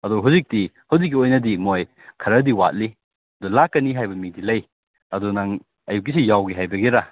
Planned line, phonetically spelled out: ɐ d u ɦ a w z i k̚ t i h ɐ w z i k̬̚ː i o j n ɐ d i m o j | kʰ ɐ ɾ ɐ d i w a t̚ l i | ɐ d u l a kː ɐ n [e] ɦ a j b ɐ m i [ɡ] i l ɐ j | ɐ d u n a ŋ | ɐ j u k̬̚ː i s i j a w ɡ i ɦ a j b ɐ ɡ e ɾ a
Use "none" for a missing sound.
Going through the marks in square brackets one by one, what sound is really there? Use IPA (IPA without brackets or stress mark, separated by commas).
i, d